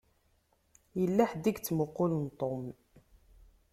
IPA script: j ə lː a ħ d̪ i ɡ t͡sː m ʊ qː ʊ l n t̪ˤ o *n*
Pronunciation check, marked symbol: incorrect: m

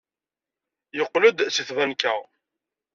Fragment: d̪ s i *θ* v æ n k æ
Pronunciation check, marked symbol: correct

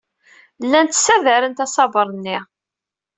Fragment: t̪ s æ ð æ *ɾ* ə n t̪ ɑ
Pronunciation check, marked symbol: correct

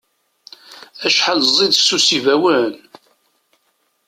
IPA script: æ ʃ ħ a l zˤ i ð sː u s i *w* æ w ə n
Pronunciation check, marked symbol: incorrect: v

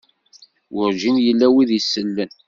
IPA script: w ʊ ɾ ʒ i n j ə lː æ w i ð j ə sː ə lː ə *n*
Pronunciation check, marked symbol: correct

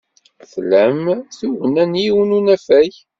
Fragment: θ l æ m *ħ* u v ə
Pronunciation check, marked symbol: incorrect: θ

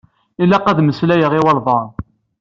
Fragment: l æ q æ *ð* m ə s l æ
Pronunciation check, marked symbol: correct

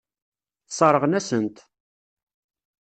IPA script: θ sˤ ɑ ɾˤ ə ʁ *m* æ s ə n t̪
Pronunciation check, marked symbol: incorrect: n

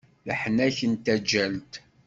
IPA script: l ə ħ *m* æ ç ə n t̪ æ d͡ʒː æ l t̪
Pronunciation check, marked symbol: incorrect: n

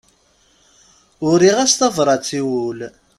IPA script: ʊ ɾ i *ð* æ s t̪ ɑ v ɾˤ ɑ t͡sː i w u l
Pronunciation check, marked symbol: incorrect: ʁ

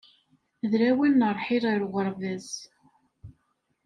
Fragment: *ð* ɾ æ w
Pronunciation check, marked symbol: correct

